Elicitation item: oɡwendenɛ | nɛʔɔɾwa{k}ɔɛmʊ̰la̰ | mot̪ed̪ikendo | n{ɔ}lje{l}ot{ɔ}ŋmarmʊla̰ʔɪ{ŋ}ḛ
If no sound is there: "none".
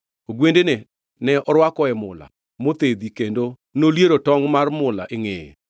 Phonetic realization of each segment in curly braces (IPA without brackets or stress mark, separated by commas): k, o, ɾ, ɔ, ŋ